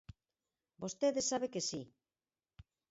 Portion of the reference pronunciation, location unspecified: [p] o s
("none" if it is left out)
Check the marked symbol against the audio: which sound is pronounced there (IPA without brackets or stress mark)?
b